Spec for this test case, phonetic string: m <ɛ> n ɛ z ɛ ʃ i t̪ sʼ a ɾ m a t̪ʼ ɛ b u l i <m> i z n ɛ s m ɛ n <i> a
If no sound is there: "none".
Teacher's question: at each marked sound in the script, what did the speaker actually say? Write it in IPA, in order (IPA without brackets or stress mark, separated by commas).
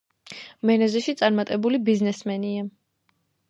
ɛ, b, i